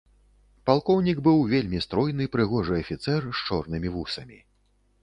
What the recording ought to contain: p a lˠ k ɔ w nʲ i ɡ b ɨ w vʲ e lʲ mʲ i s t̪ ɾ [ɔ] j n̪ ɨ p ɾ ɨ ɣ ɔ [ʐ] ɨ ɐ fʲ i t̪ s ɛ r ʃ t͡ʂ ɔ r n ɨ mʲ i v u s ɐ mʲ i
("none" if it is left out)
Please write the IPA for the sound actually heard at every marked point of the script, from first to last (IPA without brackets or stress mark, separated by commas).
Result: ɔ, ʐ